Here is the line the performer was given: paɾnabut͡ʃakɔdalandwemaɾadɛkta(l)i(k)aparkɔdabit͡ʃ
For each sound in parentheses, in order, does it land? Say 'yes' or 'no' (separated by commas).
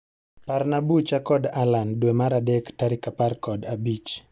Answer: no, yes